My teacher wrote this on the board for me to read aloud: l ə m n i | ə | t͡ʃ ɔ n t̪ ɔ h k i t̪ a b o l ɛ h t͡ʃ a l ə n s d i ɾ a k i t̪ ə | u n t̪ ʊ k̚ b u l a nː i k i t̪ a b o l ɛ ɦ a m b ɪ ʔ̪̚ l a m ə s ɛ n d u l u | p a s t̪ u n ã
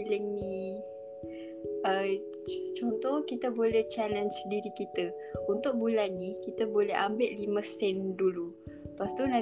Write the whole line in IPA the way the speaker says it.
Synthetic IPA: l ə ŋ n i | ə | t͡ʃ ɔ n t̪ ɔ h k i t̪ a b o l ɛ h t͡ʃ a l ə n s d i ɾ i k i t̪ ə | u n t̪ ʊ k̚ b u l a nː i k i t̪ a b o l ɛ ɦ a m b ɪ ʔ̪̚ l i m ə s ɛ n d u l u | p a s t̪ u n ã